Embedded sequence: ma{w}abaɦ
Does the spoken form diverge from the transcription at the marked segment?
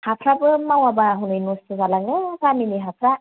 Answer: no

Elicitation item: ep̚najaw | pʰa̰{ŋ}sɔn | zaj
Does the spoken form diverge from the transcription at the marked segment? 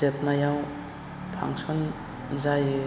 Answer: no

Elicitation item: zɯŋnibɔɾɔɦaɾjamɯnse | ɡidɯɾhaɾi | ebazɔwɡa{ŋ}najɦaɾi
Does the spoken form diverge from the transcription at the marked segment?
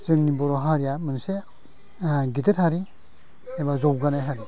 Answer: yes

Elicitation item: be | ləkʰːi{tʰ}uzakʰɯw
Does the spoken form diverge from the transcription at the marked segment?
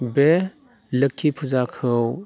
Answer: yes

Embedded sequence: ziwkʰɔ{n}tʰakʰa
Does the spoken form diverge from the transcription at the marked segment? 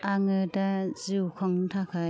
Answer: yes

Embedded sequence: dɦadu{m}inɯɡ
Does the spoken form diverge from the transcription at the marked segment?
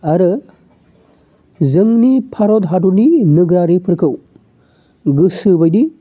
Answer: yes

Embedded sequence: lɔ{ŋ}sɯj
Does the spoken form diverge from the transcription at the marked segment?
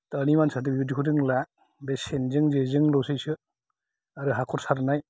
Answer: yes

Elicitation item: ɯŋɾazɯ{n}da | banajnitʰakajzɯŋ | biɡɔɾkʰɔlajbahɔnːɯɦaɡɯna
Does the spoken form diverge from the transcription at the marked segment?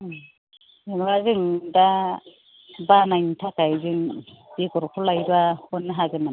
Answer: yes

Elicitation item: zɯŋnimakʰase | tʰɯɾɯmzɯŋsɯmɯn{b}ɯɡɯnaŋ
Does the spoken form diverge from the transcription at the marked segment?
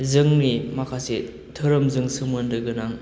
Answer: yes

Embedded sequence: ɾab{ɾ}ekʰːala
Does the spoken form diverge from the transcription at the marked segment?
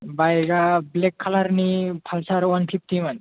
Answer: yes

